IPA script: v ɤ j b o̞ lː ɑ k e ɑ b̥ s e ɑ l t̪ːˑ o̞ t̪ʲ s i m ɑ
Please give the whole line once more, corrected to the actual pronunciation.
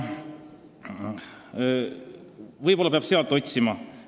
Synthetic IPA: v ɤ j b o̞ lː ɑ p e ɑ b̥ s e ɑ l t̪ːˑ o̞ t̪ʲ s i m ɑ